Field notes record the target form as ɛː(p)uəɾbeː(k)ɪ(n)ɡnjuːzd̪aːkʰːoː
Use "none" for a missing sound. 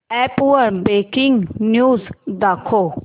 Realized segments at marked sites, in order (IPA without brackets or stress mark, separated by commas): p, k, ŋ